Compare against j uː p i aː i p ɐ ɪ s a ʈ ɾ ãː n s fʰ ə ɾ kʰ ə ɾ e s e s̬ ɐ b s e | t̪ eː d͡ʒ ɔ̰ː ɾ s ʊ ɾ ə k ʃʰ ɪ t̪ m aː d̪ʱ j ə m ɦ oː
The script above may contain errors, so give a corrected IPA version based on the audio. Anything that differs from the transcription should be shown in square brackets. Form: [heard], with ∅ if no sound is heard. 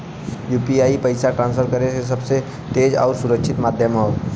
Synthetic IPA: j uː p i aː i p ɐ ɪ s a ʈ ɾ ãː n s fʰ ə ɾ [k] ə ɾ e s e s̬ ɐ b s e | t̪ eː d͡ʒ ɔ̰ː ɾ s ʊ ɾ ə k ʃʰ ɪ t̪ m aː d̪ʱ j ə m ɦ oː